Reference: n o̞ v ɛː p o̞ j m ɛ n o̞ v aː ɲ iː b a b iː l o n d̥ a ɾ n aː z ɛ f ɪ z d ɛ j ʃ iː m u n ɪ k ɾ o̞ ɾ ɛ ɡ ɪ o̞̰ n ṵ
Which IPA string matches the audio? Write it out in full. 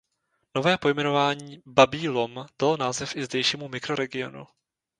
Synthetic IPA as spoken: n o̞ v ɛː p o̞ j m ɛ n o̞ v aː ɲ iː b a b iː l o m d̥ a l n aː z ɛ f ɪ z d ɛ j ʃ iː m u m ɪ k ɾ o̞ ɾ ɛ ɡ ɪ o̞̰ n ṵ